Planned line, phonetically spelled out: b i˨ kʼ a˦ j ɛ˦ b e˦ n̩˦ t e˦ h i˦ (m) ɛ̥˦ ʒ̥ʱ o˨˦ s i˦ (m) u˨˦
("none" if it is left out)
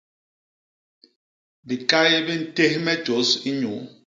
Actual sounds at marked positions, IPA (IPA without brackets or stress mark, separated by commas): m, ɲ